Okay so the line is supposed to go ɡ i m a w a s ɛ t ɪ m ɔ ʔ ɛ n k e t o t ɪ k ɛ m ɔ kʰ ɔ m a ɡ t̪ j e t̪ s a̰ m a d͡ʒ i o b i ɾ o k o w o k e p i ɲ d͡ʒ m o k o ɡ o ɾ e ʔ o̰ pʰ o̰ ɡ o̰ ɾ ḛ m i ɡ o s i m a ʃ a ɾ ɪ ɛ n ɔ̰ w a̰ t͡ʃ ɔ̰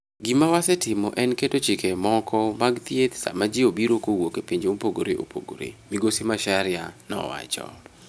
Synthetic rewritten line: ɡ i m a w a s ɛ t ɪ m ɔ ʔ ɛ n k e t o t͡ʃ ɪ k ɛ m ɔ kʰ ɔ m a ɡ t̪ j e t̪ s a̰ m a d͡ʒ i o b i ɾ o k o w o k e p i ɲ d͡ʒ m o p o ɡ o ɾ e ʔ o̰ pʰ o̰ ɡ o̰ ɾ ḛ m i ɡ o s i m a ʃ a ɾ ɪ a n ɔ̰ w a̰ t͡ʃ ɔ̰